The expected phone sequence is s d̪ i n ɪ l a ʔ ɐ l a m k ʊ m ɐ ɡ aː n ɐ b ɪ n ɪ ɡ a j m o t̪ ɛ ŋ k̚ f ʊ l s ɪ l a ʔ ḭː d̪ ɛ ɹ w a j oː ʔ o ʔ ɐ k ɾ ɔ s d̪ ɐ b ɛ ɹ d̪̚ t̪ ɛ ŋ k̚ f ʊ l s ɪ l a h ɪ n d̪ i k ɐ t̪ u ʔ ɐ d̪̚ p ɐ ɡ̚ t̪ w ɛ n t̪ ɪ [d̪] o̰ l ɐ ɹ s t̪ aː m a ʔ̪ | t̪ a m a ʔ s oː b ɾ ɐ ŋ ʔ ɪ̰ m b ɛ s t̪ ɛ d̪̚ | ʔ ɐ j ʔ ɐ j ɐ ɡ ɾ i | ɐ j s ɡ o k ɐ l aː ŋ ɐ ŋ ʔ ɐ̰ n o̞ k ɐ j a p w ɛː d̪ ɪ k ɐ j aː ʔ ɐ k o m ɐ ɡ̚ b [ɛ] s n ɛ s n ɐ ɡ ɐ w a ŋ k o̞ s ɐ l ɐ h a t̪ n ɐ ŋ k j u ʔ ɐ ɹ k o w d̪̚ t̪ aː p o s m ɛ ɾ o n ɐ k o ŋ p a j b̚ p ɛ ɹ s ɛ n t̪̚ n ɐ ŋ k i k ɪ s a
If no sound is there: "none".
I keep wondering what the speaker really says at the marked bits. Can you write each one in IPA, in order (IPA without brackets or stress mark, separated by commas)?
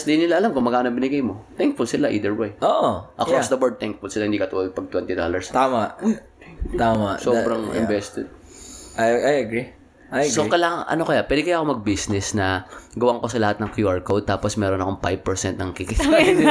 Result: d̪, i